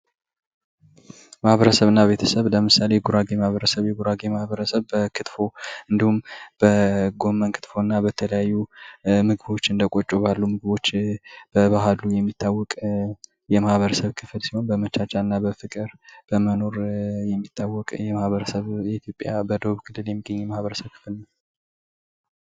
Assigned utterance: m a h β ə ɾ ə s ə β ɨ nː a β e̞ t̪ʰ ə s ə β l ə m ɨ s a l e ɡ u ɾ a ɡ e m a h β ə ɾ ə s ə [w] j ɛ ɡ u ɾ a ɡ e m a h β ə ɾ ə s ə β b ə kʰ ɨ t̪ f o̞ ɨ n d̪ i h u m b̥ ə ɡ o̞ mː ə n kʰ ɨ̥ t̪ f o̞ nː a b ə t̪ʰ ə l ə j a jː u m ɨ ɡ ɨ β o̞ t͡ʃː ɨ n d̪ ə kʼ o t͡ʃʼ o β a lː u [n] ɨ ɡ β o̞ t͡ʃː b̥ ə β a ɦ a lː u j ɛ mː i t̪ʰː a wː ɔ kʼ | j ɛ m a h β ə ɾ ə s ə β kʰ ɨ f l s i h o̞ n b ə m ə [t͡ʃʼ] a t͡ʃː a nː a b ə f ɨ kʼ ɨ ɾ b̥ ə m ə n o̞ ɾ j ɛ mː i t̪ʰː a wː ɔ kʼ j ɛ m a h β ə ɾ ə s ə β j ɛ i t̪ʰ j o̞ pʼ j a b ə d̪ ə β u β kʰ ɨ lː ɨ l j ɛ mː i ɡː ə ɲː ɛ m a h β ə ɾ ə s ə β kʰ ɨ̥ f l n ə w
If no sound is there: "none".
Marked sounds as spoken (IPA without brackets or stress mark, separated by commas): β, m, t͡ʃ